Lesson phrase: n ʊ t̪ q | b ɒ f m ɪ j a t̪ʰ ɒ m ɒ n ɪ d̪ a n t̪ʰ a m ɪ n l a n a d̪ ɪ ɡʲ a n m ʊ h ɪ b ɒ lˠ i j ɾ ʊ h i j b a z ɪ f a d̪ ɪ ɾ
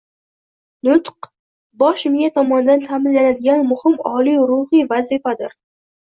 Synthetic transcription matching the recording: n ʊ t̪ q | b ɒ ʃ m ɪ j a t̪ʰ ɒ m ɒ n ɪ d̪ a n t̪ʰ a m ɪ n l a n a d̪ ɪ ɡʲ a n m ʊ h ɪ m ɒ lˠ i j ɾ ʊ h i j v a z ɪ f a d̪ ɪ ɾ